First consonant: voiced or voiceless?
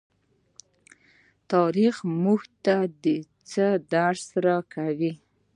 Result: voiceless